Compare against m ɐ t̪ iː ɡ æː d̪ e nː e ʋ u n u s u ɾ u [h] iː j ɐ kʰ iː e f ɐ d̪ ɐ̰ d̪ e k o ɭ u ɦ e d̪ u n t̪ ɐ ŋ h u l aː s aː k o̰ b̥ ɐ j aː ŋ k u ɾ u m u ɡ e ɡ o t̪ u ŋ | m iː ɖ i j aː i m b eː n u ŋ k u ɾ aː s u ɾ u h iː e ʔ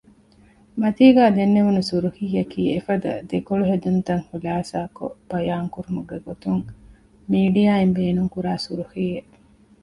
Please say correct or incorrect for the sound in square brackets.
correct